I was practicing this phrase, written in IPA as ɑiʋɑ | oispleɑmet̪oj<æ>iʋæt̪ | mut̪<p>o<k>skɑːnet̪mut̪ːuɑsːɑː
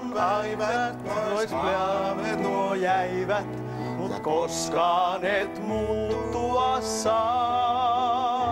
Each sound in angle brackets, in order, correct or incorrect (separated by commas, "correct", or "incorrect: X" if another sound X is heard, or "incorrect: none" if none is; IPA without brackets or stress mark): correct, incorrect: k, incorrect: none